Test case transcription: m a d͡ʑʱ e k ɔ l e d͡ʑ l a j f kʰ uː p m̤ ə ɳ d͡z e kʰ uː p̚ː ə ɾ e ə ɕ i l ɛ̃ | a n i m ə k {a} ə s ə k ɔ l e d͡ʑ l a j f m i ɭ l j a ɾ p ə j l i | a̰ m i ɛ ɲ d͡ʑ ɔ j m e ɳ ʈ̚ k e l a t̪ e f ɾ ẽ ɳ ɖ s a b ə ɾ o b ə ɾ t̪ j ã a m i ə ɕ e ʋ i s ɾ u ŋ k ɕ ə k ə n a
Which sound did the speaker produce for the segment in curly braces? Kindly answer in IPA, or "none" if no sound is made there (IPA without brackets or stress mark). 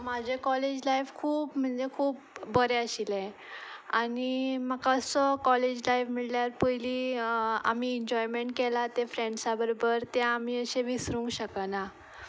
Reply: a